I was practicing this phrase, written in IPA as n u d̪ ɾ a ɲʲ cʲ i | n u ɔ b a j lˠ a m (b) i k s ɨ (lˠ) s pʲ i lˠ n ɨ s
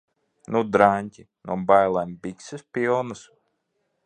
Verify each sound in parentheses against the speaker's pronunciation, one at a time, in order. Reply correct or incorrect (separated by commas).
correct, incorrect